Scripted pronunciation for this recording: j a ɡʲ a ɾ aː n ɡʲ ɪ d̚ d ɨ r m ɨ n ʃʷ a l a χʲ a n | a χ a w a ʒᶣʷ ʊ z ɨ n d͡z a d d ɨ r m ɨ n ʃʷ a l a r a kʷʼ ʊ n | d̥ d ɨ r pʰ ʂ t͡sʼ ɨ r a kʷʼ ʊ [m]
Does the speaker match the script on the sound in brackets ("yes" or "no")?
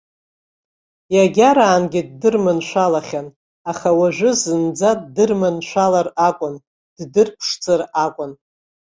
no